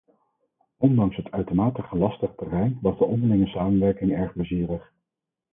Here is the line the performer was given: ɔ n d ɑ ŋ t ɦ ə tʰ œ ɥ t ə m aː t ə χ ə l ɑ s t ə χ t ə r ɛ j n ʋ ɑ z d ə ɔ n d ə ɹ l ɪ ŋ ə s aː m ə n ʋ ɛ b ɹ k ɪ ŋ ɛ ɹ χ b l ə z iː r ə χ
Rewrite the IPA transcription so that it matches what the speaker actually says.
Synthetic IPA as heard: ɔ n d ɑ ŋ s ɦ ə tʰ œ ɥ t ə m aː t ə χ ə l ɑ s t ə χ t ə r ɛ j n ʋ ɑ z d ə ɔ n d ə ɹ l ɪ ŋ ə s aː m ə n ʋ ɛ ɹ k ɪ ŋ ɛ ɹ χ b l ə z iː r ə χ